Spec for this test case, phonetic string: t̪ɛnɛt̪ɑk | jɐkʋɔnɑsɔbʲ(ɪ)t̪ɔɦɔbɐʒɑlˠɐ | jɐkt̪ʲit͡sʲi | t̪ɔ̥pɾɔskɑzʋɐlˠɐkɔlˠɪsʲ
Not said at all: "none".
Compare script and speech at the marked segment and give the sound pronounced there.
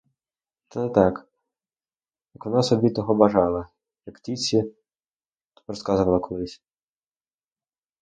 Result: i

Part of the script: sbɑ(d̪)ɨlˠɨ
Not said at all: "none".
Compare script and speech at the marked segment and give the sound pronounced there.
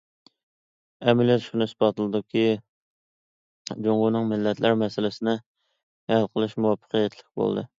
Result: t̪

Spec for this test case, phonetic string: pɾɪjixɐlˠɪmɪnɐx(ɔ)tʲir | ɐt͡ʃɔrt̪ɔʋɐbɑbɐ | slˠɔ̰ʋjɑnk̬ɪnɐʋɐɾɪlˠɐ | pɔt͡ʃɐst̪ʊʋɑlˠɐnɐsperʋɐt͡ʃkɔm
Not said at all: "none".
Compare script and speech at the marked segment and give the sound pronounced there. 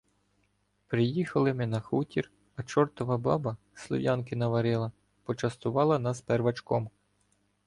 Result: u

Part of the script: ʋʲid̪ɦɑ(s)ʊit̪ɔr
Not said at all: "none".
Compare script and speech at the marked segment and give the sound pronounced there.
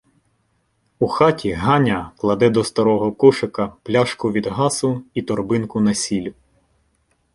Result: s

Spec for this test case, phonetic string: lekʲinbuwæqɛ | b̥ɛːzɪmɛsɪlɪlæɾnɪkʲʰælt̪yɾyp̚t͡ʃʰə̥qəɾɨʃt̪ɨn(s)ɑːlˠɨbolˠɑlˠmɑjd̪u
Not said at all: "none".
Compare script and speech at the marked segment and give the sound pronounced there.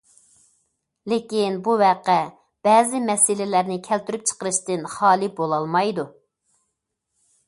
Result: χ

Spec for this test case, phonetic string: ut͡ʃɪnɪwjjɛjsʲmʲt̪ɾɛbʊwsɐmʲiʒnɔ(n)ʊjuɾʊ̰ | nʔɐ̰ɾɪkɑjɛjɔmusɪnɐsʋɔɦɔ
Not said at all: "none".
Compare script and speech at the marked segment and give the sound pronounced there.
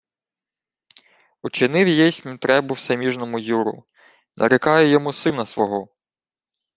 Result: m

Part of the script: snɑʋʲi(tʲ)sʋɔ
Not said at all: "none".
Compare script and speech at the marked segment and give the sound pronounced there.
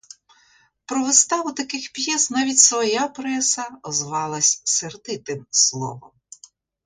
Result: tʲ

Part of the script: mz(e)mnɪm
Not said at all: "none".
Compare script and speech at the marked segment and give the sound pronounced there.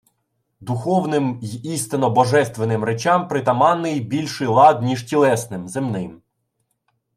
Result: e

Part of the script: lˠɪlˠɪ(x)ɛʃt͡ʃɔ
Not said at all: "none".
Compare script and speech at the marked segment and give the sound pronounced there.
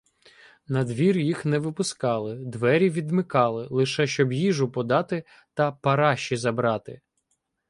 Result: ʃ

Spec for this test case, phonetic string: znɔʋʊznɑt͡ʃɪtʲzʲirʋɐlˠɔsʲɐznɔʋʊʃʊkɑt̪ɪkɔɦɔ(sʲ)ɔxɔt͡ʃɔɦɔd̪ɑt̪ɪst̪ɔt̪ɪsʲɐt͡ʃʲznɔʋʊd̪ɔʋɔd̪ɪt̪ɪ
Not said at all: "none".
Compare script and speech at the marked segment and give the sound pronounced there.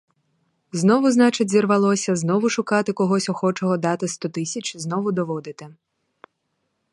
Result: sʲ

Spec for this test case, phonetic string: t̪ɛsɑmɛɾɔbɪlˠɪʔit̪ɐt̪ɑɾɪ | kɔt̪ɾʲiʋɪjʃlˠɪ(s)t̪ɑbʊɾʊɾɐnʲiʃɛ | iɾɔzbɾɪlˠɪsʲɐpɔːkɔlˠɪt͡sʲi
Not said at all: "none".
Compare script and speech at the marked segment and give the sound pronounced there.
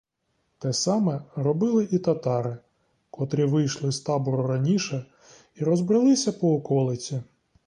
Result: s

